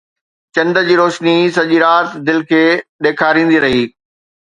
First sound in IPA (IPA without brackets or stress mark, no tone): t͡ɕ